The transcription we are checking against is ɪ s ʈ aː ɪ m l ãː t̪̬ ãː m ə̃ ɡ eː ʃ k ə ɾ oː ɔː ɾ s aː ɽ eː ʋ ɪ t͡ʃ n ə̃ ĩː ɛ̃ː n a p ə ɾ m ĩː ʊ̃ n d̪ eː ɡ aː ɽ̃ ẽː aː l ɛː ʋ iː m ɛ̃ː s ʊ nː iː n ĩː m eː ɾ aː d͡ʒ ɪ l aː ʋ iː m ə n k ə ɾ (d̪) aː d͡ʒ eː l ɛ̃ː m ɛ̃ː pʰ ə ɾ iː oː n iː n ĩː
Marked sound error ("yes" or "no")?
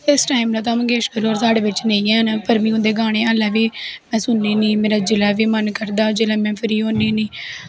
no